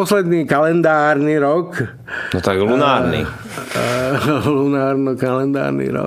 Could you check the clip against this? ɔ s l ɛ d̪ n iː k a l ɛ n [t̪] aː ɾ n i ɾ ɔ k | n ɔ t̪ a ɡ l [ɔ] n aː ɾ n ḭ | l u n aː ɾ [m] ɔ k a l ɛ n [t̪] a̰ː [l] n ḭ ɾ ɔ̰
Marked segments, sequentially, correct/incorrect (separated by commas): incorrect, incorrect, incorrect, incorrect, incorrect